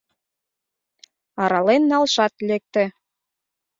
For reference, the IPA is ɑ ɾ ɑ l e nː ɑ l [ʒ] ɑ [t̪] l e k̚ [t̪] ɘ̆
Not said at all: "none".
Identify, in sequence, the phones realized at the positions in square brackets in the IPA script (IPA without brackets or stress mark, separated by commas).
ʃ, t̪, t̪